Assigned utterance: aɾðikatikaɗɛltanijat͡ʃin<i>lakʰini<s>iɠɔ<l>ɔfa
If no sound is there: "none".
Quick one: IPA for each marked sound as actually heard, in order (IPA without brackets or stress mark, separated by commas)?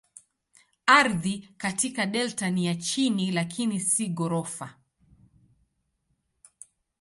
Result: i, s, ɾ